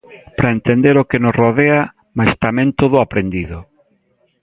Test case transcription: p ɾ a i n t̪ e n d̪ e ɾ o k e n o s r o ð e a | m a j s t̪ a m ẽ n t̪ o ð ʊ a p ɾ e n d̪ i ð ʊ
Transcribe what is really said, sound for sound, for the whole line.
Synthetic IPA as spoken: p ɾ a e n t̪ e n d̪ e ɾ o k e n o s r o ð e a | m a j s t̪ a m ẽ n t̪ o ð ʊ a p ɾ e n d̪ i ð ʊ

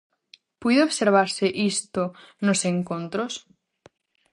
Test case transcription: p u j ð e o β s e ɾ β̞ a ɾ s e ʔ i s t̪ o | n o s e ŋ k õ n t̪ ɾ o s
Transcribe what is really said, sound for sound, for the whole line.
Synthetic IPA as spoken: p u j ð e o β s e ɾ β̞ a ɾ s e ʔ i s t̪ o | n o s e ŋ k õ n t̪ ɾ o s

